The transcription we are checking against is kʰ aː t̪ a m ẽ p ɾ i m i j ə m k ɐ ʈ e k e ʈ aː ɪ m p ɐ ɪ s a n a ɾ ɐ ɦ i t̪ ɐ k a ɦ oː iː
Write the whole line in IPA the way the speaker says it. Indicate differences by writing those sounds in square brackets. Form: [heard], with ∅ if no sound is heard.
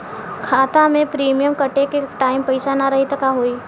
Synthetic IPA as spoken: kʰ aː t̪ a m ẽ p ɾ [iː] m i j ə m k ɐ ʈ e k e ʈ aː ɪ m p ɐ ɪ s a n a ɾ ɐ ɦ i t̪ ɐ k a ɦ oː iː